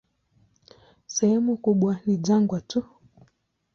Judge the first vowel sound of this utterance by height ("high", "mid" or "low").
mid